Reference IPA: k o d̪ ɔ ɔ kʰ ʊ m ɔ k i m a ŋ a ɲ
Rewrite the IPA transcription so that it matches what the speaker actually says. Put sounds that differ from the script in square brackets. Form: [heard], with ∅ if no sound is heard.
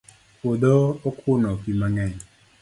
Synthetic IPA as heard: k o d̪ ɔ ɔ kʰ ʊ [n] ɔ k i m a ŋ [ɛ] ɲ

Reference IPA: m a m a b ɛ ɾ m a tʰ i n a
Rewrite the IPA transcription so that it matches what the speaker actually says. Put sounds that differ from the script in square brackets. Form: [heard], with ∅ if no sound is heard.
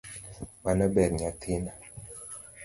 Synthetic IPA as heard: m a [n] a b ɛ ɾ [ɲ] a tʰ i n a

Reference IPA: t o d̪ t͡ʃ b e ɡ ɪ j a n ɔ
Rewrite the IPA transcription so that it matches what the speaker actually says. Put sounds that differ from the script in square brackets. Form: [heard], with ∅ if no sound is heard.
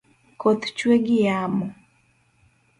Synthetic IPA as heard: [k] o [t̪] t͡ʃ [w] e ɡ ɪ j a [m] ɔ

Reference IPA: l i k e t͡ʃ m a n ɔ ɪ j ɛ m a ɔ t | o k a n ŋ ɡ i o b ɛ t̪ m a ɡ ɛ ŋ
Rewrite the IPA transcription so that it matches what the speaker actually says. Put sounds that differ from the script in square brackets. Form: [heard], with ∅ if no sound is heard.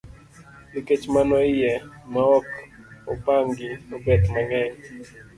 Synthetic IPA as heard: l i k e t͡ʃ m a n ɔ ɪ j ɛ m a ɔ [k] | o [p] a [∅] ŋ ɡ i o b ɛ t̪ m a [ŋ] ɛ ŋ

